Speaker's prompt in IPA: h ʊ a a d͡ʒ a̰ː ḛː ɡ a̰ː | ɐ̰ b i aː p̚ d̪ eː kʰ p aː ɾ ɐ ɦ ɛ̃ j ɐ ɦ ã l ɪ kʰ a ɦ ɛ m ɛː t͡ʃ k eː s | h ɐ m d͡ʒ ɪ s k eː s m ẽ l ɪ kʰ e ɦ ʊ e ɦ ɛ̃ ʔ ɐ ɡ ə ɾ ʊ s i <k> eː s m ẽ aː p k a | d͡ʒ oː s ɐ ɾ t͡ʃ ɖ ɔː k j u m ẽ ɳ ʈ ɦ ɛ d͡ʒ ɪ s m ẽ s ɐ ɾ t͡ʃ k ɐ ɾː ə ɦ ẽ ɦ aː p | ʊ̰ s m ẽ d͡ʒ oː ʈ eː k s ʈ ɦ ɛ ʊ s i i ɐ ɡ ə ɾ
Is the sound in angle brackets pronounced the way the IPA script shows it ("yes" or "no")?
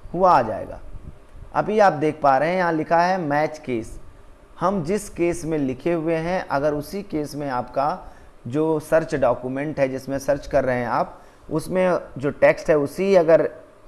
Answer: yes